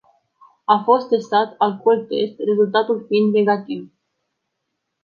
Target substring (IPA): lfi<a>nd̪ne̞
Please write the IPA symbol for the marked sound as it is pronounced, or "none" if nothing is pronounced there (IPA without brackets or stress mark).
i